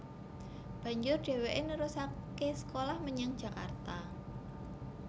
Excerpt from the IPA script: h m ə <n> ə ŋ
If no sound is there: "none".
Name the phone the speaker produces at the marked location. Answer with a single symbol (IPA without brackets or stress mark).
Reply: ɲ